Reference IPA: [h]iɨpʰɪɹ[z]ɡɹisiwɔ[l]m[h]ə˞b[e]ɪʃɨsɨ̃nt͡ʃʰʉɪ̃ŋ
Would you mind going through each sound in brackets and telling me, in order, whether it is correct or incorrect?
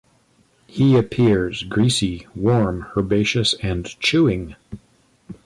correct, correct, incorrect, correct, correct

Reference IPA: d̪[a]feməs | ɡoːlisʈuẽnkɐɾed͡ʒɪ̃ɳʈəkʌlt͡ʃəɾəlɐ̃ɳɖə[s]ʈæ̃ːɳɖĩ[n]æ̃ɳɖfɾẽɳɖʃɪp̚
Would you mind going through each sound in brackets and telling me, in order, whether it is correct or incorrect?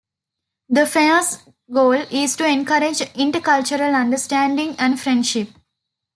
incorrect, correct, incorrect

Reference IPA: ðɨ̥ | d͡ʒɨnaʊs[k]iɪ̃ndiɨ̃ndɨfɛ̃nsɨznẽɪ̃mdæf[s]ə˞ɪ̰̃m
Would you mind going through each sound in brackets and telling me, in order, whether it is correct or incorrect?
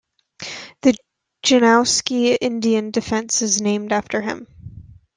correct, incorrect

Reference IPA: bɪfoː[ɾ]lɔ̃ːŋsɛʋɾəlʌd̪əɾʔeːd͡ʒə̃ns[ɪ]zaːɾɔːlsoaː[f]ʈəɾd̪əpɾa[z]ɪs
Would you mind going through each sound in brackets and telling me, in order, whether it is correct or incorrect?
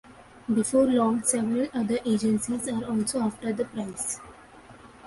correct, incorrect, correct, incorrect

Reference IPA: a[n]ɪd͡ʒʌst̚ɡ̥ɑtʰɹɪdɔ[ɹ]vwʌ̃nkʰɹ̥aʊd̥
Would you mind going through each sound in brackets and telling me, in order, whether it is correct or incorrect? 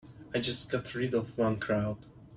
incorrect, incorrect

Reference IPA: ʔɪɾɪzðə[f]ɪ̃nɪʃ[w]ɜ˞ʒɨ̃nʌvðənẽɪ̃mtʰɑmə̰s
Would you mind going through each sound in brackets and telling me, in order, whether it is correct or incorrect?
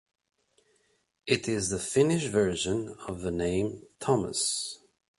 correct, incorrect

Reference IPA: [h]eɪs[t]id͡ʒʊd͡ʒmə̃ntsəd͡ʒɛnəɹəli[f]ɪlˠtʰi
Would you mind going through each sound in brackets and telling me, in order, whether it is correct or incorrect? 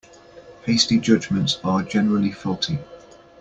correct, correct, correct

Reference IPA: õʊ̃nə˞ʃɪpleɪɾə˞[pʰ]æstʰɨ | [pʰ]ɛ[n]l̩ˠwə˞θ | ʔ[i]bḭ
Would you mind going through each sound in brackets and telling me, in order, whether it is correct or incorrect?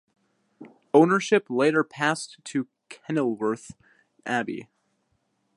correct, incorrect, correct, incorrect

